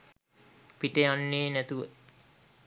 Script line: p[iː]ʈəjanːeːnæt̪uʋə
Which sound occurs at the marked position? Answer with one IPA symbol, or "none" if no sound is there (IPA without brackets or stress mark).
i